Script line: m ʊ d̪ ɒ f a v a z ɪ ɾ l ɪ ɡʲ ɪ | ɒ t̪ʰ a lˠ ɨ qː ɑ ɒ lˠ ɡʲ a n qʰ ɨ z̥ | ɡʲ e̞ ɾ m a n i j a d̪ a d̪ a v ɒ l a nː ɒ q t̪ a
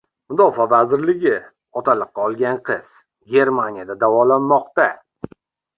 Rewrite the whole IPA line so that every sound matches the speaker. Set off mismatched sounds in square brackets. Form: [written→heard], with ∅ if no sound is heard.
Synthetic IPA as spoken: m ʊ d̪ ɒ f a v a z ɪ ɾ l ɪ ɡʲ ɪ | ɒ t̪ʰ a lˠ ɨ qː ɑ ɒ lˠ ɡʲ a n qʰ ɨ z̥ | ɡʲ e̞ ɾ m a n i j a d̪ a d̪ a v ɒ l a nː ɒ q t̪ a